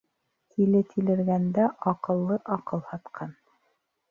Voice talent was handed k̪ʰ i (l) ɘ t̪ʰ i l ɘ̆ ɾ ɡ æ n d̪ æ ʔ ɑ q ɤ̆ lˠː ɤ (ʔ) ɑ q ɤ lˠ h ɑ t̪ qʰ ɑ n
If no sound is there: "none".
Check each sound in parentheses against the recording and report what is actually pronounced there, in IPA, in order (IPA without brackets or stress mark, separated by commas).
l, ʔ